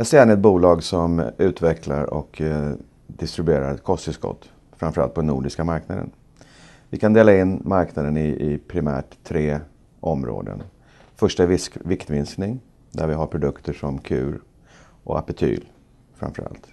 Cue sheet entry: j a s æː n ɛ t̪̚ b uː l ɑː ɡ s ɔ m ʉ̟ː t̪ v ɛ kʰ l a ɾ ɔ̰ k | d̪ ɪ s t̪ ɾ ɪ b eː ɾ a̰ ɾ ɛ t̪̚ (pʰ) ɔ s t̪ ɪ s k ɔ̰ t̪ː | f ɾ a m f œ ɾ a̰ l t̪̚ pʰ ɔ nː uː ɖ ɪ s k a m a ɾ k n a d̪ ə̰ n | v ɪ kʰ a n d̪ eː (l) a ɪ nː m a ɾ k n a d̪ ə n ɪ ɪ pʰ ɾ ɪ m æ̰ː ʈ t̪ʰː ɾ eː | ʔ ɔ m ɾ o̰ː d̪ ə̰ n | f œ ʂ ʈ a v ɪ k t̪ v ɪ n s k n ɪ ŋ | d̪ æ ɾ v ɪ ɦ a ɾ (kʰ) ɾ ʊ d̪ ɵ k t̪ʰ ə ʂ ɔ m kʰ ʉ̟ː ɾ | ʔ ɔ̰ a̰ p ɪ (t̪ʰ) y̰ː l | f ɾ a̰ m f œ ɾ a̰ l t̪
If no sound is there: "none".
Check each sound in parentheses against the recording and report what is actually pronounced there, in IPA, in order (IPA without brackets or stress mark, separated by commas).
kʰ, l, pʰ, t̪ʰ